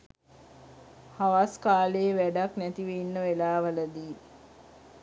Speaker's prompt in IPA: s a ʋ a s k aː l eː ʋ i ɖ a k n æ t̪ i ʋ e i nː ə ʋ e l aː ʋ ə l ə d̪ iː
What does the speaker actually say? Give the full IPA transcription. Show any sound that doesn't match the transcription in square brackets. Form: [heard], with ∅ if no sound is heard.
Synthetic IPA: [h] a ʋ a s k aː l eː ʋ [æ] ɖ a k n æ t̪ i ʋ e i nː ə ʋ e l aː ʋ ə l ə d̪ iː

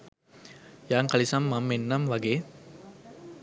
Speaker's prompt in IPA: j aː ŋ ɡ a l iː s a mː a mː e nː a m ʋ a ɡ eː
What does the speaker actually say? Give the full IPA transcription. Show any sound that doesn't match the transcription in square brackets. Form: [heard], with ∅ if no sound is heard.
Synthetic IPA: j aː ŋ [k] a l [i] s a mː a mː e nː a m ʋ a ɡ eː

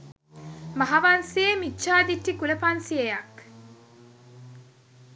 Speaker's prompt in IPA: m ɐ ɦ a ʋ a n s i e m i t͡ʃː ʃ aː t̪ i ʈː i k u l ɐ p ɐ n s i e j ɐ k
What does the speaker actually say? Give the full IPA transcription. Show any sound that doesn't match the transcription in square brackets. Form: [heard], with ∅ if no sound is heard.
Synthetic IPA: m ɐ ɦ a ʋ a n s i e m i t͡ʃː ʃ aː [d̪] i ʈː i k u l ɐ p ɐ n s i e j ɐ k

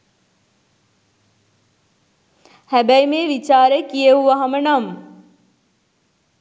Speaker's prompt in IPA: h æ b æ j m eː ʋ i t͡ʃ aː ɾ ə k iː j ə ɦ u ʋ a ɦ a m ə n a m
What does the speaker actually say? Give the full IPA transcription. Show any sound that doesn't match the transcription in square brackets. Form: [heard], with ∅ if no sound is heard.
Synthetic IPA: h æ b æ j m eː ʋ i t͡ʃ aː ɾ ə k [i] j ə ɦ u ʋ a ɦ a m ə n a m

